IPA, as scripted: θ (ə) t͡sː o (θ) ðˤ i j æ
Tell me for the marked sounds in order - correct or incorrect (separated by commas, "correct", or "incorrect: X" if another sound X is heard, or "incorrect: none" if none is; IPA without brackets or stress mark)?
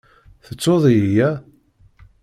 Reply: correct, incorrect: none